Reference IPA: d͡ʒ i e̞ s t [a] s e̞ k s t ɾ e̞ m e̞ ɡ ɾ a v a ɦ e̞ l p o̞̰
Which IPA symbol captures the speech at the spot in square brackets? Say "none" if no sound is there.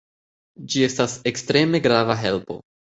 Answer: a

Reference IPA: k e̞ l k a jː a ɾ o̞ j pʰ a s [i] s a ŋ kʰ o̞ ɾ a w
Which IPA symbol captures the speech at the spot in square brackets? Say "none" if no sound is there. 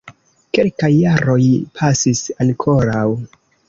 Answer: i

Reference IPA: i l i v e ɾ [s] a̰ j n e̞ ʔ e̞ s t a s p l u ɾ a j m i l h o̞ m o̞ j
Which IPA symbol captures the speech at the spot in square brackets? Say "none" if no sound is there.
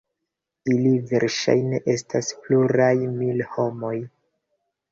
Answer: ʃ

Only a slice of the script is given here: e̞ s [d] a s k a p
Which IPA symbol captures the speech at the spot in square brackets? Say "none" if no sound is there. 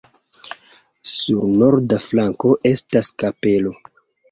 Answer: t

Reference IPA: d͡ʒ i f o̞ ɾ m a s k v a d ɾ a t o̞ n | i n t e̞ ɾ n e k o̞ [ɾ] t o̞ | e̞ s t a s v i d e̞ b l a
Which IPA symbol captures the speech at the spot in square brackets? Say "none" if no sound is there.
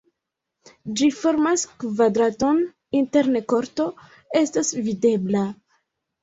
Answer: ɾ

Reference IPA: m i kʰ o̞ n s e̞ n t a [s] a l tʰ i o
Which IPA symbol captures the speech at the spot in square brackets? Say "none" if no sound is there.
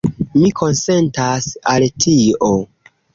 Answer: s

